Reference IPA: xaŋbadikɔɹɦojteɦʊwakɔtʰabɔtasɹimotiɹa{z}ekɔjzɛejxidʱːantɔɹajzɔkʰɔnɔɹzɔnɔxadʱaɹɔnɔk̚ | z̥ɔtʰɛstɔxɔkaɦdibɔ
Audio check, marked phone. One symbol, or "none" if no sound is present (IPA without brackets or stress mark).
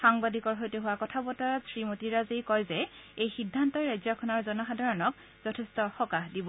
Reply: z